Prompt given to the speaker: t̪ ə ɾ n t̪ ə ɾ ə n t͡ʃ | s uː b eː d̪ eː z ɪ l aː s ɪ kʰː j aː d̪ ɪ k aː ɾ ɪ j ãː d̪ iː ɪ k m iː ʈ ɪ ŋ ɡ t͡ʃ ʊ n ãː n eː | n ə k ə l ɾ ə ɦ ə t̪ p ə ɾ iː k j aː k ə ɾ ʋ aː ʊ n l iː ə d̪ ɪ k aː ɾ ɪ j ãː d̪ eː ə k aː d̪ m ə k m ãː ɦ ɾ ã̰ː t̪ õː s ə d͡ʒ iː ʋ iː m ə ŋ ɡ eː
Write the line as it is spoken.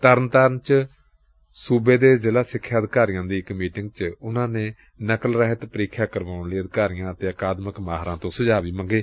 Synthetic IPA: t̪ ə ɾ n t̪ ə ɾ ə n t͡ʃ | s uː b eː d̪ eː z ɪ l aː s ɪ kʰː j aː d̪ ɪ k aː ɾ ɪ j ãː d̪ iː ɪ k m iː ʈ ɪ ŋ ɡ t͡ʃ ʊ n ãː n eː | n ə k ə l ɾ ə ɦ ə t̪ p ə ɾ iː kʰ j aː k ə ɾ ʋ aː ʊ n l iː ə d̪ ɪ k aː ɾ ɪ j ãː t̪ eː ə k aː d̪ m ə k m aː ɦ ɾ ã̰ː t̪ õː s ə d͡ʒ aː ʋ iː m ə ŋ ɡ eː